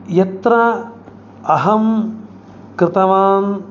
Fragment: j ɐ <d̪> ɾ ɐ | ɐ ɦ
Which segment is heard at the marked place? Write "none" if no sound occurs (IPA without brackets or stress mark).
t̪